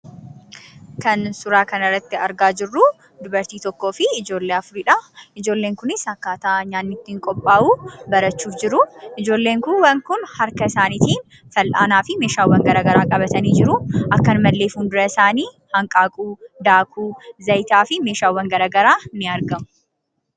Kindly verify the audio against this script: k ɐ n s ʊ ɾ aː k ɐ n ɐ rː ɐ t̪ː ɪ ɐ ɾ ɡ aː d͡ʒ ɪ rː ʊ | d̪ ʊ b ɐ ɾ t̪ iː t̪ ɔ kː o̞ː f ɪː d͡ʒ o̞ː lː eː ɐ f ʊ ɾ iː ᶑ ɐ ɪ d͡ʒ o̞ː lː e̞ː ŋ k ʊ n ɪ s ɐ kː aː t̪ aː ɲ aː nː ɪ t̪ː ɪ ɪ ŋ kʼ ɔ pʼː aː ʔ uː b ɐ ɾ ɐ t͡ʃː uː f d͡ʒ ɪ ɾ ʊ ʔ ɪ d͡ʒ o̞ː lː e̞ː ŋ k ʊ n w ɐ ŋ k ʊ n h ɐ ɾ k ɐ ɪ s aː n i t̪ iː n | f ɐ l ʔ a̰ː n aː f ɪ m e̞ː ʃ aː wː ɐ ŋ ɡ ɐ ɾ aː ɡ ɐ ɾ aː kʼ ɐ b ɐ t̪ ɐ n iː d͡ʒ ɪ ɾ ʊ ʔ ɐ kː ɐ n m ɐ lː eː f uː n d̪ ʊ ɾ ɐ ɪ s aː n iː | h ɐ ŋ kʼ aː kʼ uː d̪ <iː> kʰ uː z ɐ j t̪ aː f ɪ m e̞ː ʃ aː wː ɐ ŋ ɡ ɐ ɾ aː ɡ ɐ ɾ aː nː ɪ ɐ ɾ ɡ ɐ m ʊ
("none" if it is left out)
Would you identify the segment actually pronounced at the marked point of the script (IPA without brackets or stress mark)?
aː